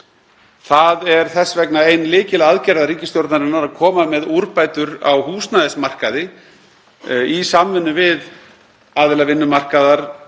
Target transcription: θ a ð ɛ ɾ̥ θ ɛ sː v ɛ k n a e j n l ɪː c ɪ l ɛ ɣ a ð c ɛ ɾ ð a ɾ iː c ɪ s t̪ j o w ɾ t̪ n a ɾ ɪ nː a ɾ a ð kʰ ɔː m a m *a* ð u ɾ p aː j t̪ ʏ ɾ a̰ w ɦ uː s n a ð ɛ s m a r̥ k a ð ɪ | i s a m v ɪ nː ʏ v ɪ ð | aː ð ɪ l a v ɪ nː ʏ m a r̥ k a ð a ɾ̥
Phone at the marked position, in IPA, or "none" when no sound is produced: ɛ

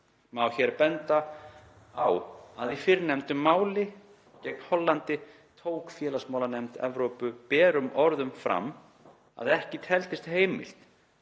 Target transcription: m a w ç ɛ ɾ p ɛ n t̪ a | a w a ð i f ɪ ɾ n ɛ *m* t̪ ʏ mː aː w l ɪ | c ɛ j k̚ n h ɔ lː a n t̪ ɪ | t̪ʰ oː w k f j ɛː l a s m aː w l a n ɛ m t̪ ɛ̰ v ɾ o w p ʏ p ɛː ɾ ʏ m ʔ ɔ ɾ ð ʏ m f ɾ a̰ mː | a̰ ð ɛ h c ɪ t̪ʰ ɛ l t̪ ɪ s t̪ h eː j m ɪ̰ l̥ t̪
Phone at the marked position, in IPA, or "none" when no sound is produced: m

